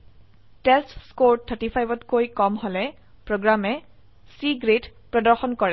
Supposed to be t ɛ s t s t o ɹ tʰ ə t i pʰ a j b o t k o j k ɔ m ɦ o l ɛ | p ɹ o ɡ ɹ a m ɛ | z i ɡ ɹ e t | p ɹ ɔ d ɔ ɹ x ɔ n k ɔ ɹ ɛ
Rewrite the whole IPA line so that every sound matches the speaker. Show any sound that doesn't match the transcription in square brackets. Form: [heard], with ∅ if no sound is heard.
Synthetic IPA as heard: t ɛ s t s [k] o ɹ tʰ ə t i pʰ a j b [ɔ] t k o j k ɔ m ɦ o l ɛ | p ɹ o ɡ ɹ a m ɛ | [s] i ɡ ɹ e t | p ɹ ɔ d ɔ ɹ x ɔ n k ɔ ɹ ɛ